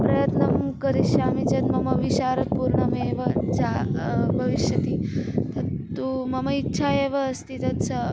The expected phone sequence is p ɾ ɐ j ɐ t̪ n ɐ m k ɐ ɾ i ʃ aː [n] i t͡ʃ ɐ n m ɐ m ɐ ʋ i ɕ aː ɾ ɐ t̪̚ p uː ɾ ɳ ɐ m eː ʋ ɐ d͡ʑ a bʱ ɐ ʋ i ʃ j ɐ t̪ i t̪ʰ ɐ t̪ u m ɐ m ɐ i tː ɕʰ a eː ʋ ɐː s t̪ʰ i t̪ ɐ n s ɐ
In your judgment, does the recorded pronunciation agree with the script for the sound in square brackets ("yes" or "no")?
no